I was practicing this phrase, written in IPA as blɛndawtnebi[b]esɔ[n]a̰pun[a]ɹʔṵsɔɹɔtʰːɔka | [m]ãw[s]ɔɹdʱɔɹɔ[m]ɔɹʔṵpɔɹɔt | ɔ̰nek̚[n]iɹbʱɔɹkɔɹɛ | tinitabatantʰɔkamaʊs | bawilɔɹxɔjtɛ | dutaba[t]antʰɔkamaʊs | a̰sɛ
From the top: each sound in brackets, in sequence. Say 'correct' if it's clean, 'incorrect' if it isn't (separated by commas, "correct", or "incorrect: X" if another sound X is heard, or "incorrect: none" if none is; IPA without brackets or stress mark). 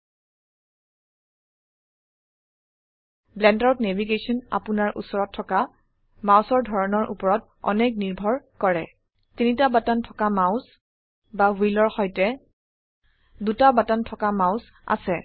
incorrect: ɡ, correct, correct, correct, correct, incorrect: n, correct, correct